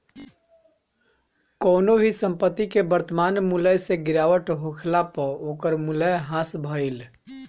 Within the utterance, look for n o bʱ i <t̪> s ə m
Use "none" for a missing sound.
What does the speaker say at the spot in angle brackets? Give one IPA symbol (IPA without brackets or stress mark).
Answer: none